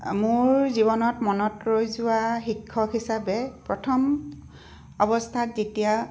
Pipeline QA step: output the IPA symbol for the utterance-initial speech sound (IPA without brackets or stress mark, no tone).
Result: m